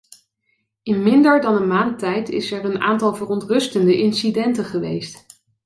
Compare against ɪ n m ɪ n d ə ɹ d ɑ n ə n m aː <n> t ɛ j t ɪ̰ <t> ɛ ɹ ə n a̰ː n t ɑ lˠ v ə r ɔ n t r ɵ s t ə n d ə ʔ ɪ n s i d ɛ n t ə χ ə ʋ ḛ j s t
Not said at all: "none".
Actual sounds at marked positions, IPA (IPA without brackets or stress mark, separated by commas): n, s